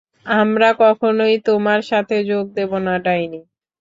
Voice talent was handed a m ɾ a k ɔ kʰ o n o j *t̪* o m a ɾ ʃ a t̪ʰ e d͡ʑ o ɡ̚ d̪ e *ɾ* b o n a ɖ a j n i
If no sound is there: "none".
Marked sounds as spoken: t̪, none

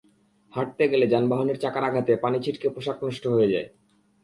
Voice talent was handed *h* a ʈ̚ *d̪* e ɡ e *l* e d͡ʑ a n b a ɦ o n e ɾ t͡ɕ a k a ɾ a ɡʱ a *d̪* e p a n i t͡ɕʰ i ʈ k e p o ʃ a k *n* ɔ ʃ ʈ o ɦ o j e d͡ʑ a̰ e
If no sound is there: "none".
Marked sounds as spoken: h, t̪, l, t̪, n

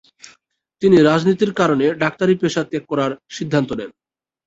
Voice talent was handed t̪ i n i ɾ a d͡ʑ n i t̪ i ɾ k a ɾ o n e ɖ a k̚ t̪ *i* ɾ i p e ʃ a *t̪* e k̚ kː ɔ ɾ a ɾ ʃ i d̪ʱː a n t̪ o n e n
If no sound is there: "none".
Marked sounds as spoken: a, t̪

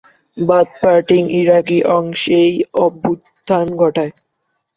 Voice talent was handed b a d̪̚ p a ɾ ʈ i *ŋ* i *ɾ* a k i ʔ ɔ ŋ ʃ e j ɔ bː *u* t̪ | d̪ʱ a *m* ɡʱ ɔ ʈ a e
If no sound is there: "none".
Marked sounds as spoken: ŋ, ɾ, u, n

